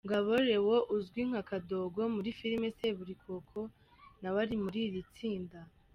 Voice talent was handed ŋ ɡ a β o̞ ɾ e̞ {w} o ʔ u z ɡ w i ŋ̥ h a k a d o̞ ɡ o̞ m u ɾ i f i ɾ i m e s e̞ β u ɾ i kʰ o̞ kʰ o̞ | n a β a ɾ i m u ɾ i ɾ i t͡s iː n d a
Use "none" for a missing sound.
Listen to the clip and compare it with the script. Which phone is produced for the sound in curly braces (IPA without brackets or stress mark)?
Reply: w